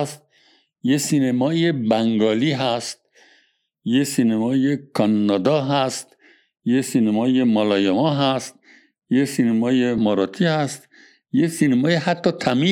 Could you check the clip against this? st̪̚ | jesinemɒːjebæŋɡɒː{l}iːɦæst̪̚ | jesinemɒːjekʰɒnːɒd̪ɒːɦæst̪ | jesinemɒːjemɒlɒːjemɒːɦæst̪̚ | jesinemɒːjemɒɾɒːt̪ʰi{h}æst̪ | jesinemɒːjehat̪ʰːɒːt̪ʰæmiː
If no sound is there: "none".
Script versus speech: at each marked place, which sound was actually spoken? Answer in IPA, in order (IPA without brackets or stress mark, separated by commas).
l, h